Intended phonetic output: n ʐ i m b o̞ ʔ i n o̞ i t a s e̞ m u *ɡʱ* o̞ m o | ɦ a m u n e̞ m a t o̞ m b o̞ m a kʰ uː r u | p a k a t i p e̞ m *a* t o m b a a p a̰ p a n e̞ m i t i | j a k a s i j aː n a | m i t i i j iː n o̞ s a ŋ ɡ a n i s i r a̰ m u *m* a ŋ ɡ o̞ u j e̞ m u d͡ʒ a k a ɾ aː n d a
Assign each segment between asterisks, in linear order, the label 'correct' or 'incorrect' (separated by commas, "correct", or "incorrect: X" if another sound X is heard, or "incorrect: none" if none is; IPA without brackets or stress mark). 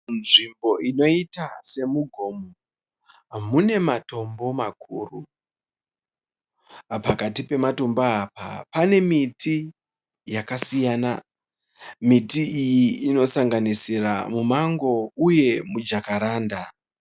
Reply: correct, correct, correct